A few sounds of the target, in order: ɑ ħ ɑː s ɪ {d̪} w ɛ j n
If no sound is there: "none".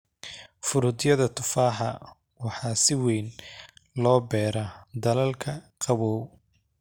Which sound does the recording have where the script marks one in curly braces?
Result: none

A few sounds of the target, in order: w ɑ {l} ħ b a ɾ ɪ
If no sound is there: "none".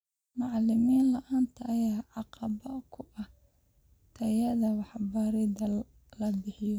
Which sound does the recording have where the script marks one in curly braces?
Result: none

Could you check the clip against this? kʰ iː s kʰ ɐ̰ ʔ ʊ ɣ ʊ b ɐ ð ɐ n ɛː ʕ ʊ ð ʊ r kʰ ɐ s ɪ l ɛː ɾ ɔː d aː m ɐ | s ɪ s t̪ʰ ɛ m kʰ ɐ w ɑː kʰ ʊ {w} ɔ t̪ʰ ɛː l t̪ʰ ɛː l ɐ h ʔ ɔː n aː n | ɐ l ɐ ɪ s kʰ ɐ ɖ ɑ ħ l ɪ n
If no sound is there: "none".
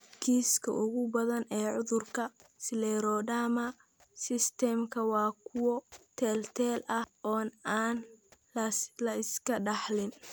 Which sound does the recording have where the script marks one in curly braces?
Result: w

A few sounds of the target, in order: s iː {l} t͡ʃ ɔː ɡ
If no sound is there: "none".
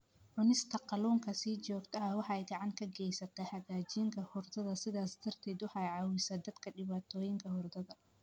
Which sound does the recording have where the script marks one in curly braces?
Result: none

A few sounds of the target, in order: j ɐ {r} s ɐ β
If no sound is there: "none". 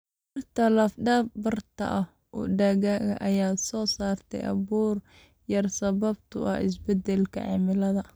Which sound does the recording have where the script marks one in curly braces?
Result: r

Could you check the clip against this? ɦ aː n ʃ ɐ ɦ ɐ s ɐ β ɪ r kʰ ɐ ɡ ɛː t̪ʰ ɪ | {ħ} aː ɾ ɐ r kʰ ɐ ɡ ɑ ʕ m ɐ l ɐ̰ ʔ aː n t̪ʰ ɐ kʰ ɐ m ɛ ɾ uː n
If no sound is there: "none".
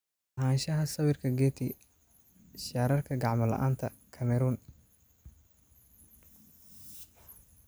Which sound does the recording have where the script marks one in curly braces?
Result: ʃ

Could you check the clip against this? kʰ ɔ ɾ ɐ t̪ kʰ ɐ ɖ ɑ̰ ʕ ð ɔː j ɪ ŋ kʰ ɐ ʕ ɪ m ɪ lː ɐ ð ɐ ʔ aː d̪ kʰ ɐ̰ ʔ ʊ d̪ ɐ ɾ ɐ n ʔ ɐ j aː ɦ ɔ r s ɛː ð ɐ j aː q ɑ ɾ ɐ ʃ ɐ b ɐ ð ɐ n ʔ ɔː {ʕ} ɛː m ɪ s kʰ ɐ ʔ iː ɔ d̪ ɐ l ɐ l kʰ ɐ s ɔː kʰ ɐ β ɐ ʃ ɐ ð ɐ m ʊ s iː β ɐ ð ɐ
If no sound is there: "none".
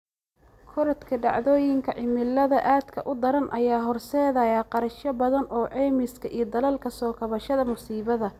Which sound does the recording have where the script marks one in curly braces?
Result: ʕ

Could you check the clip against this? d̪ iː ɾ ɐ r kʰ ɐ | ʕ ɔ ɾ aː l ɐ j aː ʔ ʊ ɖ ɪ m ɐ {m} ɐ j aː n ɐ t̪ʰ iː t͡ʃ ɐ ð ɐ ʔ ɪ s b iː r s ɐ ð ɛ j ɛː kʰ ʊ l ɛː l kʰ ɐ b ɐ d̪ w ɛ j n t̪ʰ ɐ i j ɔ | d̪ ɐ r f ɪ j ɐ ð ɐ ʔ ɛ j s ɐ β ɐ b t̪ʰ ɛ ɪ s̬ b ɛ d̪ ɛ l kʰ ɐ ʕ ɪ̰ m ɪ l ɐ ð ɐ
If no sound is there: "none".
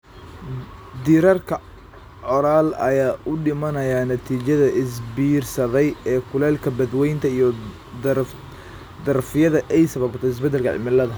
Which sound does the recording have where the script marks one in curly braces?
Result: n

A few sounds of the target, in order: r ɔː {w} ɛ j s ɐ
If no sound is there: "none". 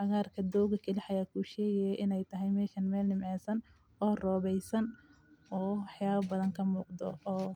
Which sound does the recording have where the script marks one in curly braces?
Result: β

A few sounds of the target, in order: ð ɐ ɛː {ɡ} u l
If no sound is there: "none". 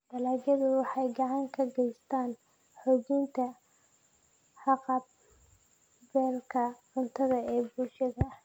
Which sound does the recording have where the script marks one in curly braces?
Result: b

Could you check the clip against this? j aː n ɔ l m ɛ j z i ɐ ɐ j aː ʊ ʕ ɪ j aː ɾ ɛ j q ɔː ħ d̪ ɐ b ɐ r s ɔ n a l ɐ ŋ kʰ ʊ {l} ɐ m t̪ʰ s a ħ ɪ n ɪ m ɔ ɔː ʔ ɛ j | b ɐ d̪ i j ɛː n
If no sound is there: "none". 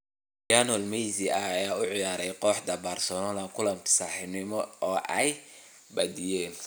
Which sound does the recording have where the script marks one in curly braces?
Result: l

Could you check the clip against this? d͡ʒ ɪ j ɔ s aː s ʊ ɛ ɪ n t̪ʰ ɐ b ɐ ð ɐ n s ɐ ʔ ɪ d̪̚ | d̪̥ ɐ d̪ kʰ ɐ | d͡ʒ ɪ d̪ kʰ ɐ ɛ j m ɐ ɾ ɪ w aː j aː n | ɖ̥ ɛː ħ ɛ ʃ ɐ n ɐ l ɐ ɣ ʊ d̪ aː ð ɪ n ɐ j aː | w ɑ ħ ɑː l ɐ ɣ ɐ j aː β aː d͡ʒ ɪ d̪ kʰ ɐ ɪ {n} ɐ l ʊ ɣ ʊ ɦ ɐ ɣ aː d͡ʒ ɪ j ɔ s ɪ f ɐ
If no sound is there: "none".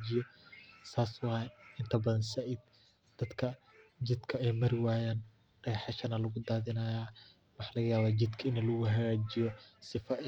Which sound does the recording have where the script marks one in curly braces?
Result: n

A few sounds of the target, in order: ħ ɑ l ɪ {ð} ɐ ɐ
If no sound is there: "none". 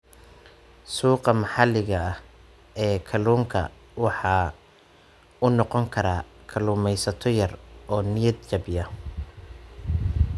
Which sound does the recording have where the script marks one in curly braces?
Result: ɣ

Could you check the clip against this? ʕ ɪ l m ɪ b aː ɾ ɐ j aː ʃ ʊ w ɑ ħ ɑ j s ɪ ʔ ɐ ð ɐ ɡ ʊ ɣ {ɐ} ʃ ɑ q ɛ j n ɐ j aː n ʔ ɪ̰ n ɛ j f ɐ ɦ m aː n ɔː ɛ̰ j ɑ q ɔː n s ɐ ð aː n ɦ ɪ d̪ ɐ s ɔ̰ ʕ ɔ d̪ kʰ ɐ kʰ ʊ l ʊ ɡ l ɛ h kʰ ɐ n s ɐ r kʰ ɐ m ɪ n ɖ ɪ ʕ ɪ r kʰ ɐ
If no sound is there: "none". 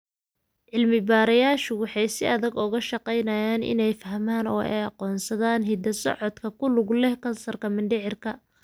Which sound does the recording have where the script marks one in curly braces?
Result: ɐ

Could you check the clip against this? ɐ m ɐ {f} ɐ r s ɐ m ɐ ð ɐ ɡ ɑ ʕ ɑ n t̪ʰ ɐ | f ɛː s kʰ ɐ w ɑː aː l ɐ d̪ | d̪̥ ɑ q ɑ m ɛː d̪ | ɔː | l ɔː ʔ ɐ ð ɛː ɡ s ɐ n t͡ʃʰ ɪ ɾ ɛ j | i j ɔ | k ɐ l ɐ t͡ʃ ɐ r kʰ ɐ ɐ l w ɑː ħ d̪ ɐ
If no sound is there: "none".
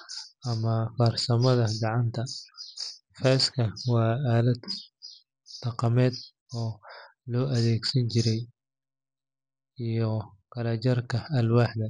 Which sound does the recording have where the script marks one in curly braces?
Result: f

